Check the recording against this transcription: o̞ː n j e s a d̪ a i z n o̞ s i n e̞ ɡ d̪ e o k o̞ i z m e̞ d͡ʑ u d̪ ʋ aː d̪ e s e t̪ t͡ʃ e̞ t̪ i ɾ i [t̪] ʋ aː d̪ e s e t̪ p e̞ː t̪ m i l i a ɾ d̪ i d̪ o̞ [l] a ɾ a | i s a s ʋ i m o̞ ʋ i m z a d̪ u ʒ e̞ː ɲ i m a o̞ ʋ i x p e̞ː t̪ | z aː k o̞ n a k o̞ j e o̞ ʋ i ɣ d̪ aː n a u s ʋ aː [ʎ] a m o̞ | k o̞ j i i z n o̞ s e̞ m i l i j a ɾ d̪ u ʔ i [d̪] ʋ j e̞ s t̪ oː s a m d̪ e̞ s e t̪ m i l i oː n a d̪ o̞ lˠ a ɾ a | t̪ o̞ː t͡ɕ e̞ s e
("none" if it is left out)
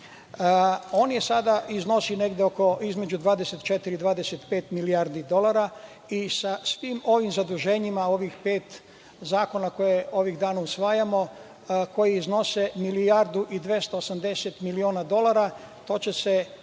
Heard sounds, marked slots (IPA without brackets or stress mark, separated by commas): d̪, l, j, d̪